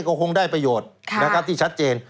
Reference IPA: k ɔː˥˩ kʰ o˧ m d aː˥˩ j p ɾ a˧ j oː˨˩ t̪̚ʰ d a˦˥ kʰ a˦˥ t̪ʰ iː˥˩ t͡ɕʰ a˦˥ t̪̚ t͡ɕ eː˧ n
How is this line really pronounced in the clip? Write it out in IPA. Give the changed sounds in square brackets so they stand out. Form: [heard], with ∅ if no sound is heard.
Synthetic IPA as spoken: k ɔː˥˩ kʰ o˧ [ŋ] d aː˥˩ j p ɾ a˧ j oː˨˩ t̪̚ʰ [n] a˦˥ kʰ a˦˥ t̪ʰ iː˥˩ t͡ɕʰ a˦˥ t̪̚ t͡ɕ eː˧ n